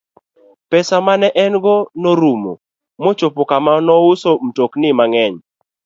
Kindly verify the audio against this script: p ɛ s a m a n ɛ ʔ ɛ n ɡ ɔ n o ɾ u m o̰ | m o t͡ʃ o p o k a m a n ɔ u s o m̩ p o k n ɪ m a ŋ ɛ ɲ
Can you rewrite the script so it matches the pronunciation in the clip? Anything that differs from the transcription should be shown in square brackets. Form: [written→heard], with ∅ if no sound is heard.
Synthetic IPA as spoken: p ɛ s a m a n ɛ ʔ ɛ n ɡ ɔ n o ɾ u m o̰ | m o t͡ʃ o p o k a m a n ɔ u s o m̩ [p→t] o k n ɪ m a ŋ ɛ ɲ

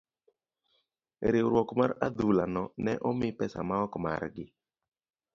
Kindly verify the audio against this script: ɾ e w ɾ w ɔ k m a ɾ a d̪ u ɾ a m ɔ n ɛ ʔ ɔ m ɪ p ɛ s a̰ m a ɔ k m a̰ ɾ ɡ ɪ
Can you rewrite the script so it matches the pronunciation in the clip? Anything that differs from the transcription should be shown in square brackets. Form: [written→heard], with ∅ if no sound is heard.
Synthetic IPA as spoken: ɾ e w ɾ w ɔ k m a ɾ a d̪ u [ɾ→l] a [m→n] ɔ n ɛ ʔ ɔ m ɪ p ɛ s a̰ m a ɔ k m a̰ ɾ ɡ ɪ

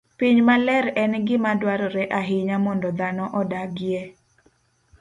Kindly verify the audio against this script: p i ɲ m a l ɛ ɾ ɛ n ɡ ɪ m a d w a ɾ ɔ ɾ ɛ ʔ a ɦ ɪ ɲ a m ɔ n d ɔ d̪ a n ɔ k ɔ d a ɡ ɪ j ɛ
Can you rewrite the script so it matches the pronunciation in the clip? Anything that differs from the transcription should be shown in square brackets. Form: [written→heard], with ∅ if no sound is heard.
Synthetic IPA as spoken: p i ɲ m a l ɛ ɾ ɛ n ɡ ɪ m a d w a ɾ ɔ ɾ ɛ ʔ a ɦ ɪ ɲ a m ɔ n d ɔ d̪ a n ɔ [k→ʔ] ɔ d a ɡ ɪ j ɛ

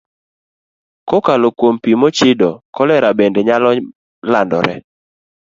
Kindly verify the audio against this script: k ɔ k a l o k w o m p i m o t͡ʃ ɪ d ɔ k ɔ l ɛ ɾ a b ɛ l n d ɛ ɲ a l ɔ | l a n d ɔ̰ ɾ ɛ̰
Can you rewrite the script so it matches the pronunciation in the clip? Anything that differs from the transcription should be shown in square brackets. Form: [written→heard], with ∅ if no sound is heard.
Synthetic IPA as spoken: k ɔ k a l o k w o m p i m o t͡ʃ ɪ d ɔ k ɔ l ɛ ɾ a b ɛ [l→∅] n d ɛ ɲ a l ɔ | l a n d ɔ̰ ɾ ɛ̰

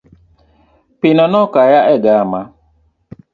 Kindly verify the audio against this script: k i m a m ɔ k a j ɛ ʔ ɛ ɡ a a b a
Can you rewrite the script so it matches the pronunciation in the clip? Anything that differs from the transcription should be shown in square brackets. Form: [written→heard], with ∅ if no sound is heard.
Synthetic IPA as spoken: [k→p] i [m→n] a [m→n] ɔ k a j [ɛ→a] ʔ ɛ ɡ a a [b→m] a

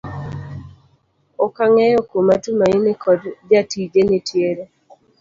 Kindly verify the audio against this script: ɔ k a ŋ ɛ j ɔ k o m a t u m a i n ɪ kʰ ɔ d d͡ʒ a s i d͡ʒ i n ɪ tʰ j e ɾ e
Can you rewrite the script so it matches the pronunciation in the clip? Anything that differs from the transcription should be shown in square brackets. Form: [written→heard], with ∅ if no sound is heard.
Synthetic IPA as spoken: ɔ k a ŋ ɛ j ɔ k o m a t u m a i n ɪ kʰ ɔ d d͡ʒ a [s→t] i d͡ʒ [i→e] n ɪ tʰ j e ɾ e

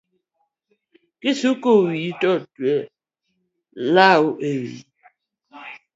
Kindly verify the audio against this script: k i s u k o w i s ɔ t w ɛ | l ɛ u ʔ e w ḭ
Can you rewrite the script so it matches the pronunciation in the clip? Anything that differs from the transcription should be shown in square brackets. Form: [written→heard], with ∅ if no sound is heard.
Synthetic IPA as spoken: k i s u k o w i [s→t] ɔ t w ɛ | l [ɛ→a] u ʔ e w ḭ

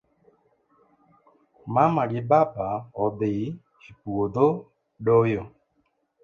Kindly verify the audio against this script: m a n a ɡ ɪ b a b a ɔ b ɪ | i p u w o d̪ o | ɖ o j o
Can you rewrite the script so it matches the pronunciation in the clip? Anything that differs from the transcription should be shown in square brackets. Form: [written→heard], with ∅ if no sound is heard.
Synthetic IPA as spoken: m a [n→m] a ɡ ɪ b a b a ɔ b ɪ | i p u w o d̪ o | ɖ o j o

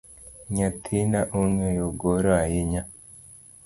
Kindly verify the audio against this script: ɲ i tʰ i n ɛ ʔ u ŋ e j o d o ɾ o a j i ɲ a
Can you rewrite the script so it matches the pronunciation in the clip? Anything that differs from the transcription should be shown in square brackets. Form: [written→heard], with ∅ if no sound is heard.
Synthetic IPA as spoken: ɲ [i→a] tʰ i n [ɛ→a] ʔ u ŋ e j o [d→ɡ] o ɾ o a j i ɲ a

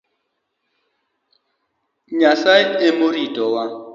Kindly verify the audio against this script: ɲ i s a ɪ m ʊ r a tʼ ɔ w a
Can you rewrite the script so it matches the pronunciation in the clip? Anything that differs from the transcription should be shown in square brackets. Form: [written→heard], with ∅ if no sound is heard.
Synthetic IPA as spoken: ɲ [i→a] s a ɪ m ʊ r [a→i] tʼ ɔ w a

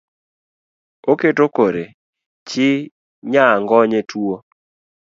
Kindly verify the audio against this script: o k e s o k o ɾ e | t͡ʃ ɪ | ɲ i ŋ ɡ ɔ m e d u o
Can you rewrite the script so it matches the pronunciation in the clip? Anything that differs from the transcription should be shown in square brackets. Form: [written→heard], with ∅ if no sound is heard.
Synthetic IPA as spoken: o k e [s→t] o k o ɾ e | t͡ʃ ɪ | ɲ [i→a] ŋ ɡ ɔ [m→ɲ] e [d→t] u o

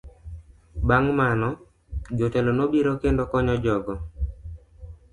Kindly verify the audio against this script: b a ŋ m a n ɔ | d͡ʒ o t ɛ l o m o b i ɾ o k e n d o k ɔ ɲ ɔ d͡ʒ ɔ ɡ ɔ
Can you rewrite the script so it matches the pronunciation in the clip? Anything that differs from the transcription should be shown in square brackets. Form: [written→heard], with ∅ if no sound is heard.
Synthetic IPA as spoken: b a ŋ m a n ɔ | d͡ʒ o t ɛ l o [m→n] o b i ɾ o k e n d o k ɔ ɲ ɔ d͡ʒ ɔ ɡ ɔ

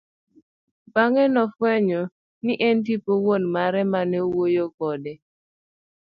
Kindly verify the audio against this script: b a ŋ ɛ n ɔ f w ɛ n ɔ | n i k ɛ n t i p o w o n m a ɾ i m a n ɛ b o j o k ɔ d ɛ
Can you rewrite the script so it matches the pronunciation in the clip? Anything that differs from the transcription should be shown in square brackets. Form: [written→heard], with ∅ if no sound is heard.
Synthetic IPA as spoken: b a ŋ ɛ n ɔ f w ɛ [n→ɲ] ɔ | n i [k→ʔ] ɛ n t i p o w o n m a ɾ [i→ɛ] m a n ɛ [b→w] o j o k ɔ d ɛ

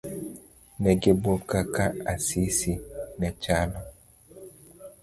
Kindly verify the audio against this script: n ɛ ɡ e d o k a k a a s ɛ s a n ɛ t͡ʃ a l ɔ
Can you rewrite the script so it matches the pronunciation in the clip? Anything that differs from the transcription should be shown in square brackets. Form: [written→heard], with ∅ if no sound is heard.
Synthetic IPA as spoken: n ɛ ɡ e [d→b] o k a k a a s [ɛ→i] s [a→i] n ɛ t͡ʃ a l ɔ

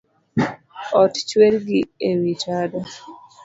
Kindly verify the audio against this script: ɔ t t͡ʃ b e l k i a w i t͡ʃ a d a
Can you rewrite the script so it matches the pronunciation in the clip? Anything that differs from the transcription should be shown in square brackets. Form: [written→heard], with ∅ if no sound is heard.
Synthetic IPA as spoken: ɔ t t͡ʃ [b→w] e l [k→ɡ] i [a→e] w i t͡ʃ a d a

